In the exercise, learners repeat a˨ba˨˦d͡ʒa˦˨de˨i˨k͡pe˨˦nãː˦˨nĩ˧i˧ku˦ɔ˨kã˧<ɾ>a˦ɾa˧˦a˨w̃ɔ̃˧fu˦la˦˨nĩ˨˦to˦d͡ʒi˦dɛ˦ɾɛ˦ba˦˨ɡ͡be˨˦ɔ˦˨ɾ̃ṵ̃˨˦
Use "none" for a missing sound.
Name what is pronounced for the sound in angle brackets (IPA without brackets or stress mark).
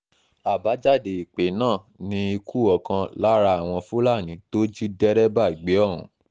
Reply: l